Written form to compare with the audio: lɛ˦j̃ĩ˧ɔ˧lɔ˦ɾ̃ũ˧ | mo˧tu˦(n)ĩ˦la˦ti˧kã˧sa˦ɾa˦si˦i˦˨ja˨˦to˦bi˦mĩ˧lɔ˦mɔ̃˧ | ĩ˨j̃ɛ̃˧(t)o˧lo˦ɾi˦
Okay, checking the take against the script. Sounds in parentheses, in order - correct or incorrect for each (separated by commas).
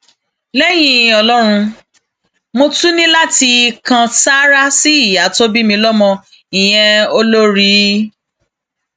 correct, incorrect